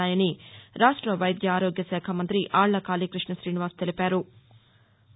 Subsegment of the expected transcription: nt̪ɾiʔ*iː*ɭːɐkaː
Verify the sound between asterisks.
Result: incorrect: aː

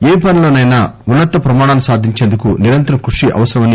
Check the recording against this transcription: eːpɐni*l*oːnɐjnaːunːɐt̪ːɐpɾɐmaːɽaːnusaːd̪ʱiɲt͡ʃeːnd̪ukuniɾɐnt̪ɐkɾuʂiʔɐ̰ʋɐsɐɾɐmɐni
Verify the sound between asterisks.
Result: correct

